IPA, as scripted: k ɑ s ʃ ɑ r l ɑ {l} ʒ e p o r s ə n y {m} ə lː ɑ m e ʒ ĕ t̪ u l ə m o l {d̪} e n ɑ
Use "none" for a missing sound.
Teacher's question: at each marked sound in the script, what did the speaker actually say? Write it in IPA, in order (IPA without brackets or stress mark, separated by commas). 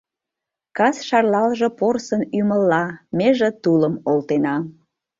l, m, t̪